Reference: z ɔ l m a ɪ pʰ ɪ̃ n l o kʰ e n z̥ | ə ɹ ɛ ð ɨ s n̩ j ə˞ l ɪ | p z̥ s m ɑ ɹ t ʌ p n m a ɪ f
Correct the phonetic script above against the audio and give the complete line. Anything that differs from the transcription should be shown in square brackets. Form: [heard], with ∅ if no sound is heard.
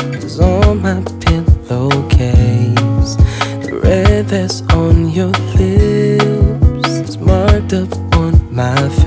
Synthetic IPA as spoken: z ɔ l m a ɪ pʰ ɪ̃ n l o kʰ e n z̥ | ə ɹ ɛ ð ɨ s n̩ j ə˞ l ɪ | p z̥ s m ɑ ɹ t ʌ p n m a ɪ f